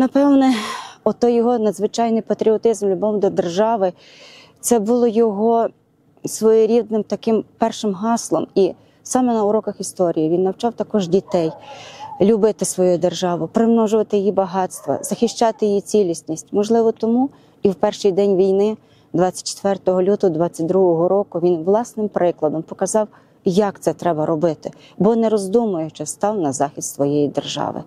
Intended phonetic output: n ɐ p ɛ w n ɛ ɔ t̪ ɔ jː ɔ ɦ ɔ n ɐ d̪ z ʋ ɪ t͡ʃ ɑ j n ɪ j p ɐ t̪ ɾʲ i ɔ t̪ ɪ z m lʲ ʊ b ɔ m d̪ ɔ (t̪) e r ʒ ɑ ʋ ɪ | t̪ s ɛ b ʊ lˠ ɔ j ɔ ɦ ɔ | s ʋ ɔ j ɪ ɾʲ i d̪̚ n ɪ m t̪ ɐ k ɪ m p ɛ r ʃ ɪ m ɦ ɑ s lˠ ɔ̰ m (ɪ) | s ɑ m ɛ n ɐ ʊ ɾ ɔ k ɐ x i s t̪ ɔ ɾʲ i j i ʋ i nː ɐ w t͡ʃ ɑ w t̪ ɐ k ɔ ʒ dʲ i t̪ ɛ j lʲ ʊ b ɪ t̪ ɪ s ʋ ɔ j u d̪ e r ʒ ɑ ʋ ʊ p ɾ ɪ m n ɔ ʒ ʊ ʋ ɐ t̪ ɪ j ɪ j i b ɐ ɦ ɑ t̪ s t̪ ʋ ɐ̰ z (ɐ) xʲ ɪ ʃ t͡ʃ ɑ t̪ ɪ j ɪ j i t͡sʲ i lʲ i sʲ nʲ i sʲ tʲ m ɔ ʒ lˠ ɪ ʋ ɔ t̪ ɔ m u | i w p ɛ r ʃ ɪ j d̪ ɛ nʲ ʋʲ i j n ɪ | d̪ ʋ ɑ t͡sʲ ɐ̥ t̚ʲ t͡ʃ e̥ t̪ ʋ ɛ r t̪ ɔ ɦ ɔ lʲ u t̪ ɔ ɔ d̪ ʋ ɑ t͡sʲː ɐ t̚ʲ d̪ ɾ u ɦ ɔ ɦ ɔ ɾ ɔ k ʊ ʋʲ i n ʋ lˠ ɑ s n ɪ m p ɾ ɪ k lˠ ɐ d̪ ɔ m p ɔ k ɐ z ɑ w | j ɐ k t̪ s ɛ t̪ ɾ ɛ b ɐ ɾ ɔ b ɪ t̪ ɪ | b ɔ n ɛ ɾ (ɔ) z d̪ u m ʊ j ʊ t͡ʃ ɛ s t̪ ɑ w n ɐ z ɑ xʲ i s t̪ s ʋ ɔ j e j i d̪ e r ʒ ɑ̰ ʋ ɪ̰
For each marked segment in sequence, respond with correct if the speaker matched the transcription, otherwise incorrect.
incorrect: d̪, incorrect: i, correct, correct

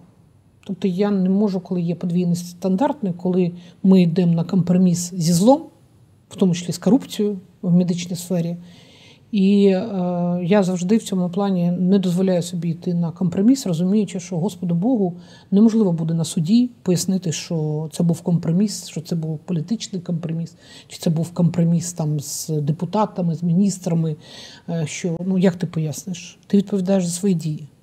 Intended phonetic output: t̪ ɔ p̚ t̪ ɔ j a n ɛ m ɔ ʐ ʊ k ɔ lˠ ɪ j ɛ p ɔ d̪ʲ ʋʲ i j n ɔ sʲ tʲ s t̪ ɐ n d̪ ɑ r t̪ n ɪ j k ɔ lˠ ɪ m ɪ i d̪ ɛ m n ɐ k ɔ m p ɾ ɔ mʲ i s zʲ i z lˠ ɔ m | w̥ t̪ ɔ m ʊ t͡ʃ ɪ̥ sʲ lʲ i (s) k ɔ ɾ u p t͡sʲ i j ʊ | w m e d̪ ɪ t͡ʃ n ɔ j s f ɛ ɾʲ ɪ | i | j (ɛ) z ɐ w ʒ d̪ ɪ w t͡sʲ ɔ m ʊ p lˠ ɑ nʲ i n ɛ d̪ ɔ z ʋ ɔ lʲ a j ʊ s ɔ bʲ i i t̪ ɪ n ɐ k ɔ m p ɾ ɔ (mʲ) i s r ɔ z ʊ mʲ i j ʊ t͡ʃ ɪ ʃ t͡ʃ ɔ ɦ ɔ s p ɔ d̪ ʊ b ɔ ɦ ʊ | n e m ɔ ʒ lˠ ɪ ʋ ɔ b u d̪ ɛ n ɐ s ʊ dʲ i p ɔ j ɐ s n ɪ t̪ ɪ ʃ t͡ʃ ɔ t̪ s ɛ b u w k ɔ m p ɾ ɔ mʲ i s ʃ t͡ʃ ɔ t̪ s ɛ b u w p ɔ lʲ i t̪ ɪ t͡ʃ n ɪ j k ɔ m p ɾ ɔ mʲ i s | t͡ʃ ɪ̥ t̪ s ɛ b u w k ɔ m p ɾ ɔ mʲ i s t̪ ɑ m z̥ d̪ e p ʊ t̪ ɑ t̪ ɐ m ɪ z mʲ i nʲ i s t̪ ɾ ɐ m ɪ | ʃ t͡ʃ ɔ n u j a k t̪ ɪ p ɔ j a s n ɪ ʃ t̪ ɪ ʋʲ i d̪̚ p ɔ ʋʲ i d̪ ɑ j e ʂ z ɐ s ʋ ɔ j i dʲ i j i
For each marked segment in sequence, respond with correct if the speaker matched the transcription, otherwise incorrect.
correct, incorrect: a, correct

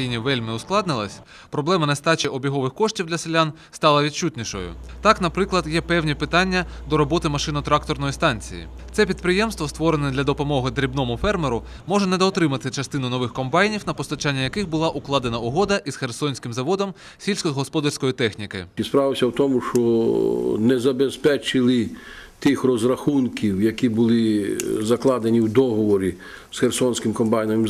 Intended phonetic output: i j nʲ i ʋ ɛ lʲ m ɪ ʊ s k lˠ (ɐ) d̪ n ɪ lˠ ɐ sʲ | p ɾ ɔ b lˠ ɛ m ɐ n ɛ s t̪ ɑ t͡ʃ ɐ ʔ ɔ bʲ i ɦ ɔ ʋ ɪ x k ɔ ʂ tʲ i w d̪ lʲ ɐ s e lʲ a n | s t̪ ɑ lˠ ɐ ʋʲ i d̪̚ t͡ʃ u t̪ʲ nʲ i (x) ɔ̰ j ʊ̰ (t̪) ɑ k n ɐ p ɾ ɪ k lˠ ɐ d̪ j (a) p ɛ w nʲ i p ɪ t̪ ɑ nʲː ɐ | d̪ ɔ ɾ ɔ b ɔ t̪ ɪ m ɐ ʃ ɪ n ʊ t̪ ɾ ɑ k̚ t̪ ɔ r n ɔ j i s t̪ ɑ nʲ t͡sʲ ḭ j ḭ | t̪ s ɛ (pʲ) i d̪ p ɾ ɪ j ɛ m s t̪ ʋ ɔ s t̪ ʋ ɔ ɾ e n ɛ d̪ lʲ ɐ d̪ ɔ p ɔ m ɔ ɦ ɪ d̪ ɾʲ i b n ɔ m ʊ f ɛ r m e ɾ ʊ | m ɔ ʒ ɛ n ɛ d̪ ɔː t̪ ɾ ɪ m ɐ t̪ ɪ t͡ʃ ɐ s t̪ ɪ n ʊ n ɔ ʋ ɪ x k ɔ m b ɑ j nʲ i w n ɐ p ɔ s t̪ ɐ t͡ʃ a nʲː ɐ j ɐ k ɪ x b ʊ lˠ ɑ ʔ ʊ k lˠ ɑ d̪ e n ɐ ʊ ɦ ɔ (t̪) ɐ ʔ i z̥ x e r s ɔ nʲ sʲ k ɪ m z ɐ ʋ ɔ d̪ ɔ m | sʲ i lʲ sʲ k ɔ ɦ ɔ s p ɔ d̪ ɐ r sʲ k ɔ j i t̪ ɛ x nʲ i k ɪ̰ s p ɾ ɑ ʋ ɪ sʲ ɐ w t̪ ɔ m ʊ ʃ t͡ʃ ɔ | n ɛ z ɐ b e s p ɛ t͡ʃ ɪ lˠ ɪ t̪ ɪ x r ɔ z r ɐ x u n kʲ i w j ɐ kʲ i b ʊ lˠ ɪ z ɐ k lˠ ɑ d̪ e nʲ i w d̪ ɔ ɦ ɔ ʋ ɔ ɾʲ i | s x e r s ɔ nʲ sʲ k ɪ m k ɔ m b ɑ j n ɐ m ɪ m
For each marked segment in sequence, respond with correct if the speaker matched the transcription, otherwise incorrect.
incorrect: ɑ, incorrect: ʃ, correct, incorrect: ɛ, correct, incorrect: d̪

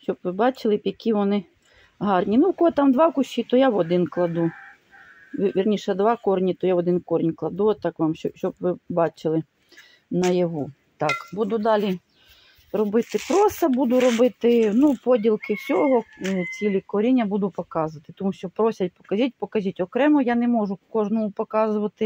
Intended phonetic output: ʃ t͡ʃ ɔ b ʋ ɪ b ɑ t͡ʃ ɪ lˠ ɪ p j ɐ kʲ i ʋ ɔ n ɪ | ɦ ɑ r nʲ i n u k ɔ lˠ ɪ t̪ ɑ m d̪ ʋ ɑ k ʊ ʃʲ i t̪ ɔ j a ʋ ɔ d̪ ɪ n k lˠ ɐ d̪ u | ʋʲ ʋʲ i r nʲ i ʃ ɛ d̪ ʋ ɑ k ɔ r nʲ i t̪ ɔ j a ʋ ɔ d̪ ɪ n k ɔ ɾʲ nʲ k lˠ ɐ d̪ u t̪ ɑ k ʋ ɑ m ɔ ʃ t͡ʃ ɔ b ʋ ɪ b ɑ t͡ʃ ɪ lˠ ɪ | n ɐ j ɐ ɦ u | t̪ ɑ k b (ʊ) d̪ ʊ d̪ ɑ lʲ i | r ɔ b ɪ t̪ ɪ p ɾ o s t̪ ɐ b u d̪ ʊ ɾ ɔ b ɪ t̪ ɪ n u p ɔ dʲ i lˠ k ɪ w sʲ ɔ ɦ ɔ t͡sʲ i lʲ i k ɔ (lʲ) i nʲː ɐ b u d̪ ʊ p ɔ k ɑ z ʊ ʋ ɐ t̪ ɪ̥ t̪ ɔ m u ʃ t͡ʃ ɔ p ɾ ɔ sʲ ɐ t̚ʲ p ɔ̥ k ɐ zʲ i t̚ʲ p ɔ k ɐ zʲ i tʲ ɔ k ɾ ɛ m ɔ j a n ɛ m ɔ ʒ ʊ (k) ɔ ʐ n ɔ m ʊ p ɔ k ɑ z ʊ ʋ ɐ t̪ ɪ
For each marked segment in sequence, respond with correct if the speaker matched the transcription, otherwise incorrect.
incorrect: u, incorrect: ɾʲ, correct

